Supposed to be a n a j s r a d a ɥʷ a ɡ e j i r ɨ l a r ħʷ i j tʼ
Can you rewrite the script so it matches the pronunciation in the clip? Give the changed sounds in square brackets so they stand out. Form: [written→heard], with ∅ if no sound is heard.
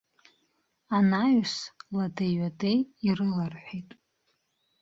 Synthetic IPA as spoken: a n a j s [r→l] a d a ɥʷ a [ɡ→d] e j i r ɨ l a r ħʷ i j tʼ